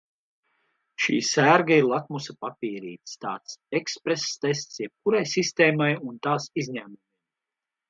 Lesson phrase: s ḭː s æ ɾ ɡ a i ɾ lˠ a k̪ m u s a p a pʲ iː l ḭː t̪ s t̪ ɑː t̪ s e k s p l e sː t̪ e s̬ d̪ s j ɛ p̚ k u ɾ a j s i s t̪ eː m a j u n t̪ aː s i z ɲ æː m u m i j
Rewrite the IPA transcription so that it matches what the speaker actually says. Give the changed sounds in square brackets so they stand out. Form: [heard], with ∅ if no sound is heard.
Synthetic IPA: [ʃ] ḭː s æ ɾ ɡ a i ɾ lˠ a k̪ m u s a p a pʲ iː [ɾ] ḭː t̪ s t̪ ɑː t̪ s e k s p [ɾ] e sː t̪ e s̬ [t̪] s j ɛ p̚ k u ɾ a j s i s t̪ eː m a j u n t̪ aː s i z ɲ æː m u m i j